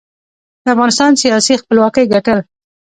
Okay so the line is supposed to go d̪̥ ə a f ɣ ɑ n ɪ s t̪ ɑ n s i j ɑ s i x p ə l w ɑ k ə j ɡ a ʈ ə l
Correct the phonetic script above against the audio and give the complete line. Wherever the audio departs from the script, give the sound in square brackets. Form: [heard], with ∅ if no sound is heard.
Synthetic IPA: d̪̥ ə a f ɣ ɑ n ɪ s t̪ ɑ n s i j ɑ s i x p ə l w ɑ k ə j ɡ a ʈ ə l